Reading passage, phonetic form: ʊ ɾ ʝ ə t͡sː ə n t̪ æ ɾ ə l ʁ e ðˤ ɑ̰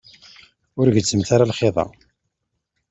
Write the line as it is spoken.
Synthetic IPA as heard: ʊ ɾ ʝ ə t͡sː ə m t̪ a ɾ a l χ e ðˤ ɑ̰